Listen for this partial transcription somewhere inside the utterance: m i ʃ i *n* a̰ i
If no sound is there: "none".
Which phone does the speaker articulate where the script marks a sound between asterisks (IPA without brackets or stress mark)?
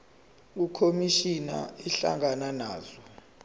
n